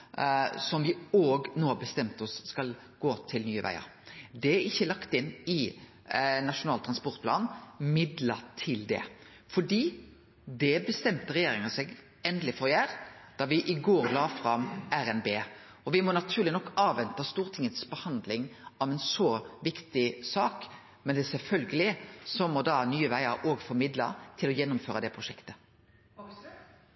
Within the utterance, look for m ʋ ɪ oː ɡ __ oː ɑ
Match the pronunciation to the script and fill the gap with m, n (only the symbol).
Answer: n